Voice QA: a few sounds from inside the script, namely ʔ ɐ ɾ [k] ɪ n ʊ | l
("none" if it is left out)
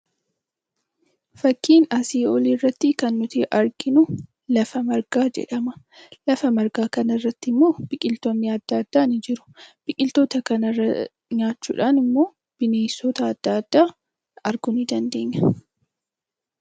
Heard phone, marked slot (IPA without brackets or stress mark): ɡ